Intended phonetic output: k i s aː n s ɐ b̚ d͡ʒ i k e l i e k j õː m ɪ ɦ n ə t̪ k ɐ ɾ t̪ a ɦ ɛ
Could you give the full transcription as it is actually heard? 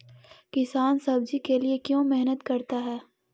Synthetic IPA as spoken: k ɪ s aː n s ɐ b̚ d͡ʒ i k e l i e k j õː m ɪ ɦ n ə t̪ k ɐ ɾ t̪ a ɦ ɛː